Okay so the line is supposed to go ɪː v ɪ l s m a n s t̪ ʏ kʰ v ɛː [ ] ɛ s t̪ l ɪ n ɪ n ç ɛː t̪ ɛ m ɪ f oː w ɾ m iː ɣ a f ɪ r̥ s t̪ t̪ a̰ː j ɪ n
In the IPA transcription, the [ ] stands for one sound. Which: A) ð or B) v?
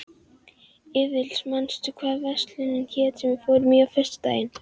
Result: B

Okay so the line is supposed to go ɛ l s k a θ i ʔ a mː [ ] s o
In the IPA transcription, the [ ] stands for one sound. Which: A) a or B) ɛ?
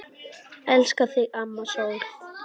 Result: A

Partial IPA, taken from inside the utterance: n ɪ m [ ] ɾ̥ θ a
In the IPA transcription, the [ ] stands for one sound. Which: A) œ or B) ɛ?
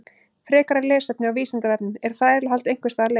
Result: B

